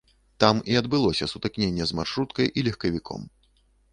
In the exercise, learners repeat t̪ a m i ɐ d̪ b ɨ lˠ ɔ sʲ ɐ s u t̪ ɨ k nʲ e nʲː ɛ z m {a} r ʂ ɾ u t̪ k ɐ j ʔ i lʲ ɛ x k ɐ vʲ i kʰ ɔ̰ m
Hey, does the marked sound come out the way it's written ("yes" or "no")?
yes